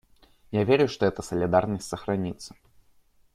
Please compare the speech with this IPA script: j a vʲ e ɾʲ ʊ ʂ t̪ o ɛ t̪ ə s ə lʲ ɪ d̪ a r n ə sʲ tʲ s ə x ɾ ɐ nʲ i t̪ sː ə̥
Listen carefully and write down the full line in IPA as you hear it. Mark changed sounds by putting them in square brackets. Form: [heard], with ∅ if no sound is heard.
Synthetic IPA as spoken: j a vʲ e ɾʲ ʊ ʂ t̪ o ɛ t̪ ə s ə lʲ ɪ d̪ a r n ə sʲ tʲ s ə x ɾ ɐ nʲ i t̪ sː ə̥

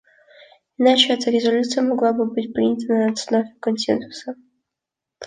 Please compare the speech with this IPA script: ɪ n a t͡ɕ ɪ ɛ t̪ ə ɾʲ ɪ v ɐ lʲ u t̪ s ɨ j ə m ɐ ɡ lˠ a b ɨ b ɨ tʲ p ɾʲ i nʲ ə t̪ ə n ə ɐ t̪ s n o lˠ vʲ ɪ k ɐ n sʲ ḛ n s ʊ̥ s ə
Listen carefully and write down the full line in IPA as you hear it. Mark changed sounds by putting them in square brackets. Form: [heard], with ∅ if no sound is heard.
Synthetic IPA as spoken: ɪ n a t͡ɕ ɪ ɛ t̪ ə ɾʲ ɪ [z] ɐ lʲ u t̪ s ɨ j ə m ɐ ɡ lˠ a b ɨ b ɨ tʲ p ɾʲ i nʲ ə t̪ ə n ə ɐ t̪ s n o [∅] vʲ ɪ k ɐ n sʲ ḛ n s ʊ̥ s ə

